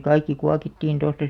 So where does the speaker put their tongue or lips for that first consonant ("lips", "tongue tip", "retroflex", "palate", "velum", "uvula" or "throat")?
velum